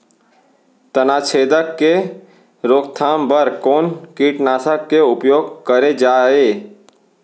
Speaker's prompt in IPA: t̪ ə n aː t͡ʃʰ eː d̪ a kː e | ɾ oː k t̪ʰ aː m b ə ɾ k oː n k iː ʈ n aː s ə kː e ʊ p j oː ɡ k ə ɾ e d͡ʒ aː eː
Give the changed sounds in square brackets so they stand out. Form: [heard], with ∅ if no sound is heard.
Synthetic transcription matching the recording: t̪ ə n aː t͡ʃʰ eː d̪ [ə] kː e | ɾ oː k t̪ʰ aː m b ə ɾ k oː n k iː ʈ n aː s ə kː e ʊ p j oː ɡ k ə ɾ e d͡ʒ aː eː